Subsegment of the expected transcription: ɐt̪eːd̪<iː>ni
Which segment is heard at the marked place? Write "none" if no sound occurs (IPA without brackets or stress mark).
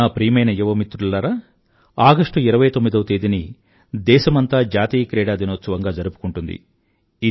i